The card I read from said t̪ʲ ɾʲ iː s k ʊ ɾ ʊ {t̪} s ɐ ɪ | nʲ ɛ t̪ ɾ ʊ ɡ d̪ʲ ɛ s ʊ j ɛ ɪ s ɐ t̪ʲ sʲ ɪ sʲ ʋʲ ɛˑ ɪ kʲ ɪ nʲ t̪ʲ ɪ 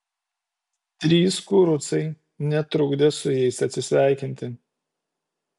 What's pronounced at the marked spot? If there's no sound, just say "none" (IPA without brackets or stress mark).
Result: t̪